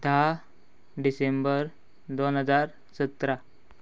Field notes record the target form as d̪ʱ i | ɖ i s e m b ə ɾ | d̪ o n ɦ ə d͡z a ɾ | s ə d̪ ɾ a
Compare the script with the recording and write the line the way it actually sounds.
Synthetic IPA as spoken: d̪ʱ a | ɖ i s e m b ə ɾ | d̪ o n ɦ ə d͡z a ɾ | s ə t̪ ɾ a